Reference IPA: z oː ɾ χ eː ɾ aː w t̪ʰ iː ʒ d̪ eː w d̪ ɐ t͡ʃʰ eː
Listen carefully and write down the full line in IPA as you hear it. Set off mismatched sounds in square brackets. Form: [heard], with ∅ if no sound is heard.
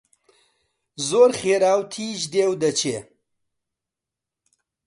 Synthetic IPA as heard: z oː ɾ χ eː ɾ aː w t̪ʰ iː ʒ d̪ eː w d̪ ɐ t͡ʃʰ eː

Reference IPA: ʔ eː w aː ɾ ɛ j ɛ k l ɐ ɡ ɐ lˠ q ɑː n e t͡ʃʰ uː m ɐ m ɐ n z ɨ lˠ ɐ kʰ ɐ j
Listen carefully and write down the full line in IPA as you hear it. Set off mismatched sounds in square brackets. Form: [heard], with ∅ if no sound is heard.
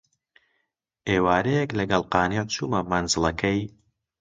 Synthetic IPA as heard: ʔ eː w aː ɾ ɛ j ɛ k l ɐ ɡ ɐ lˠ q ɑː n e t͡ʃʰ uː m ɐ m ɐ n z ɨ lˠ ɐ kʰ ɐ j

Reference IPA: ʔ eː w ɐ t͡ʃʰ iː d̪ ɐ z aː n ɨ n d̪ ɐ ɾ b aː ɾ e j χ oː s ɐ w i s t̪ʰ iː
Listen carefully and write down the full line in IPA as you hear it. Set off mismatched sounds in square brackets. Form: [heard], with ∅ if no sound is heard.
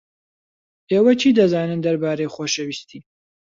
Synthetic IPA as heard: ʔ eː w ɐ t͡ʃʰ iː d̪ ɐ z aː n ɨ n d̪ ɐ ɾ b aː ɾ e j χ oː [ʃ] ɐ w i s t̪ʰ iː

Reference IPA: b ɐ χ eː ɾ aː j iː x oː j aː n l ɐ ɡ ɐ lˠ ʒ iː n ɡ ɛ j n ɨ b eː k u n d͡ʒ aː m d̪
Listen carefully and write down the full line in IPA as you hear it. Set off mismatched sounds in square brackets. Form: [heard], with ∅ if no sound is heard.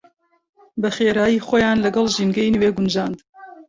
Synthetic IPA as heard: b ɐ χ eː ɾ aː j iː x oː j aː n l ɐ ɡ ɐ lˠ ʒ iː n ɡ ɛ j n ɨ [w] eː [ɡ] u n d͡ʒ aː [n] d̪

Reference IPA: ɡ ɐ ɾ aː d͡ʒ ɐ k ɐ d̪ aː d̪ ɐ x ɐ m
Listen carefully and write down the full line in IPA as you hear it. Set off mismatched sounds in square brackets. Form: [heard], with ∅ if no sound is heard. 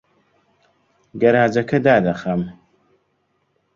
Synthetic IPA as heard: ɡ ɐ ɾ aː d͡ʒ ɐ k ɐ d̪ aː d̪ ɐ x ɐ m

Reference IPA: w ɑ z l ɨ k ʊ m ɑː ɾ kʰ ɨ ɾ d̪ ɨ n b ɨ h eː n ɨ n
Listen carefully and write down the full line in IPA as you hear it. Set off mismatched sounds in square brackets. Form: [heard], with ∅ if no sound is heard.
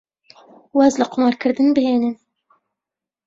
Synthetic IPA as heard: w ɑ z l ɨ [q] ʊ m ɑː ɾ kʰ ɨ ɾ d̪ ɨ n b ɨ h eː n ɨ n

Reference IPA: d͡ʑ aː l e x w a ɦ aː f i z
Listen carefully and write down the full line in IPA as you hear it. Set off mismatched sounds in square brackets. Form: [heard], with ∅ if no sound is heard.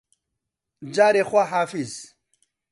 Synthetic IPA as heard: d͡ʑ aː [ɾ] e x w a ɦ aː f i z

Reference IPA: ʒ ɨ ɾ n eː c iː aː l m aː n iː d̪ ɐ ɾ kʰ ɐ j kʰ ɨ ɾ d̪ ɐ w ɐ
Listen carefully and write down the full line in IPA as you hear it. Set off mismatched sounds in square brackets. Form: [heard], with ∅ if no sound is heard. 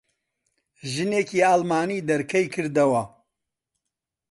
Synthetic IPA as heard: ʒ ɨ [∅] n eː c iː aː l m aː n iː d̪ ɐ ɾ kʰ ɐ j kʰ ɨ ɾ d̪ ɐ w ɐ

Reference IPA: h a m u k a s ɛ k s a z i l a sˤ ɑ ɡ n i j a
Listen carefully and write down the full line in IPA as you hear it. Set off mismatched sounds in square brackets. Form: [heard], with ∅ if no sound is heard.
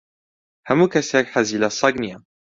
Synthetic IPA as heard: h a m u k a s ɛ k [ħ] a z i l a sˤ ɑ ɡ n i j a

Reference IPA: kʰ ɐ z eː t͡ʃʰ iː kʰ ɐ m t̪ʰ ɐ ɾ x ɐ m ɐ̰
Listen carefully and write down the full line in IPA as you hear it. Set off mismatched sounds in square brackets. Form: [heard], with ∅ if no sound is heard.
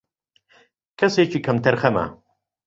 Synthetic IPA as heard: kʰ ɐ [s] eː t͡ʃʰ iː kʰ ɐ m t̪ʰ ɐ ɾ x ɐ m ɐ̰

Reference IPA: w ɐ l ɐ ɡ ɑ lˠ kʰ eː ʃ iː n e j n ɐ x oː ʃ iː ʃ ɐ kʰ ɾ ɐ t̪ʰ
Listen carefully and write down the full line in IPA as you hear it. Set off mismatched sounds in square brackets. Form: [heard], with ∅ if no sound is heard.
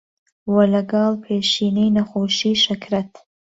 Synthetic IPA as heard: w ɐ l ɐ ɡ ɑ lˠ [pʰ] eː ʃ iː n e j n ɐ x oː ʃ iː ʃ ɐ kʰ ɾ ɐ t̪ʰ

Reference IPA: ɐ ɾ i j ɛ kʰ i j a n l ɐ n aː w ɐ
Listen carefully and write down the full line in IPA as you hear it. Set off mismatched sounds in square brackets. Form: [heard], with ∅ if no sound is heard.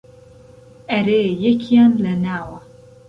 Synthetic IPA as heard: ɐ ɾ [e] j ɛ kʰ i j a n l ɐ n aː w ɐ

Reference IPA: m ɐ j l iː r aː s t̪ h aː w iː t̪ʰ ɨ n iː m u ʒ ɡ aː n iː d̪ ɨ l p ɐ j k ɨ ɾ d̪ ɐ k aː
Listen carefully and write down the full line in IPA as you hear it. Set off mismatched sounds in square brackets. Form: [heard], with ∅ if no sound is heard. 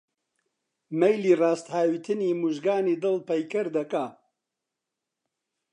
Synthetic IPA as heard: m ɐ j l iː r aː s t̪ h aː w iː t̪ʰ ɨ n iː m u ʒ ɡ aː n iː d̪ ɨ l p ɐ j k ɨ ɾ d̪ ɐ k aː

